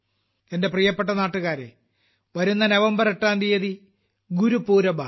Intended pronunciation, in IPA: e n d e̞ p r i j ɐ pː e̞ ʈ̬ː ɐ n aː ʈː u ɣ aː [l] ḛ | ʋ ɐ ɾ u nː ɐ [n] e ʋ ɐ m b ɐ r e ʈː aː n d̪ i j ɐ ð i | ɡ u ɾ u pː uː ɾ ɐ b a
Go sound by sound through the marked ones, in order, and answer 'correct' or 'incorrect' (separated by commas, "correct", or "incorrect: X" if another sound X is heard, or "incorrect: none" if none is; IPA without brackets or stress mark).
incorrect: ɾ, correct